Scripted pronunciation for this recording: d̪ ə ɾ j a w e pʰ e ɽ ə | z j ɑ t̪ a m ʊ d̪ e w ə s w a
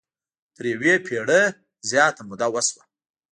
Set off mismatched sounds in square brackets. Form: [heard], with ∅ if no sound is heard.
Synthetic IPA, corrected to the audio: [t̪] ə ɾ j a w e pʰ e ɽ ə | z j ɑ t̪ a m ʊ d̪ [a] w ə s w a